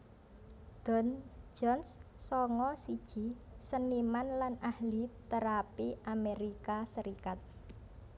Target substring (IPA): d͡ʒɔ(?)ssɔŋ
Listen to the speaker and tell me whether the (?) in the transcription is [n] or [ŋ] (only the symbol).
n